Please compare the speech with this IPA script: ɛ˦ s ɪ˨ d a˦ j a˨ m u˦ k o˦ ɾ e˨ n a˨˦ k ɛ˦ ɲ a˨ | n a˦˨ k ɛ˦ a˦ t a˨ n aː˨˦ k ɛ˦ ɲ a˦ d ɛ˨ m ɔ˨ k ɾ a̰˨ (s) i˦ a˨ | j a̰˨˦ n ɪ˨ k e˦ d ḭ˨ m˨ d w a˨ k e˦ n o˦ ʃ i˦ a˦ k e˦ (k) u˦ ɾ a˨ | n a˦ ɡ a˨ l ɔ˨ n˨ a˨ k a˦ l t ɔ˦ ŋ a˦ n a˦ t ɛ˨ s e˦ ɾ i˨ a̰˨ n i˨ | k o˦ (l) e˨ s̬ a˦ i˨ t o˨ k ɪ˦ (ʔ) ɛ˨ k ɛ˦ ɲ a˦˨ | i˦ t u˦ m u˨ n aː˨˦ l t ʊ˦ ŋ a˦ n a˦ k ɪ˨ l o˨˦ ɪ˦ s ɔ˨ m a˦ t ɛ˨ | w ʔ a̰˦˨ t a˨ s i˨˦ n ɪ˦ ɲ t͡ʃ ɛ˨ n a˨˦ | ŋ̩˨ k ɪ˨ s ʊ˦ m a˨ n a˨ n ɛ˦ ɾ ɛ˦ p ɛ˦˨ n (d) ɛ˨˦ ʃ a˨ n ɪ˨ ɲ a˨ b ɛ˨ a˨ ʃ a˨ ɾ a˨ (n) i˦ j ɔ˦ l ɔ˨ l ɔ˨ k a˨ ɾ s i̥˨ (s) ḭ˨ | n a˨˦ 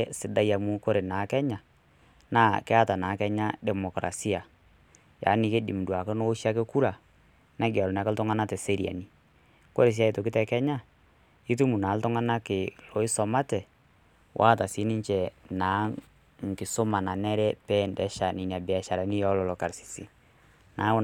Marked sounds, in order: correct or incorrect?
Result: correct, correct, incorrect: ɾ, incorrect: t, correct, correct, correct

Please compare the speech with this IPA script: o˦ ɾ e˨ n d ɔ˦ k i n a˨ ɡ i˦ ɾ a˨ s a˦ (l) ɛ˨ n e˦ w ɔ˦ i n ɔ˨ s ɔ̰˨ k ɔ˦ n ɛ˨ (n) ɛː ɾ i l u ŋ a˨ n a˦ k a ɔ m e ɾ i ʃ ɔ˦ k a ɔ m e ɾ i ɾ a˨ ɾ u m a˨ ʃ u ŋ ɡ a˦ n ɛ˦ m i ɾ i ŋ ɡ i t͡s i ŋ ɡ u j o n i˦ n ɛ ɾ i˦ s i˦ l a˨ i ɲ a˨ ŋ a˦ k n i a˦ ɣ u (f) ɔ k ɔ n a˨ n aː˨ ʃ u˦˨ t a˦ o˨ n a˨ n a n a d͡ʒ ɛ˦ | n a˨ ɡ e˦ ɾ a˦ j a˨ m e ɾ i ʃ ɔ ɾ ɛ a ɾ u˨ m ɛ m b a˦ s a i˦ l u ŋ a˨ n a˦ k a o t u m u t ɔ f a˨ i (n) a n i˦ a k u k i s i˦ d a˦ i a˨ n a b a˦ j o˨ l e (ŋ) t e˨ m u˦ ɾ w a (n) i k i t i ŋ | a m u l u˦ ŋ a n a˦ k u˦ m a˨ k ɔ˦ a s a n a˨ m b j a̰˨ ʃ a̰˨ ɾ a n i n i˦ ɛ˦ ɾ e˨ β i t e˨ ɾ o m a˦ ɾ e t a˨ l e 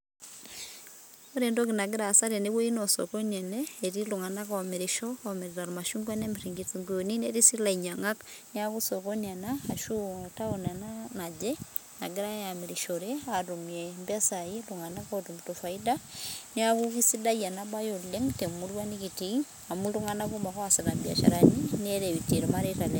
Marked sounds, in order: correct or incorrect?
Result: incorrect: ɾ, correct, incorrect: s, incorrect: d, correct, correct

